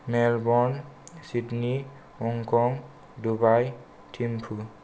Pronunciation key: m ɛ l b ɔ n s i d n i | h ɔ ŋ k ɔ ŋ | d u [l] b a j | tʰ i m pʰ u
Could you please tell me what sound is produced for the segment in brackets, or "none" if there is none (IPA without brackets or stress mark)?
none